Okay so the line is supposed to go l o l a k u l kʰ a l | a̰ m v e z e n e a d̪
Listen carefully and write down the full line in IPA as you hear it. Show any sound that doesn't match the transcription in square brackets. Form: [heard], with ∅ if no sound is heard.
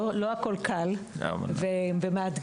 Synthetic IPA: l o [∅] a k [o] l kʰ a l | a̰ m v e [v] e [m] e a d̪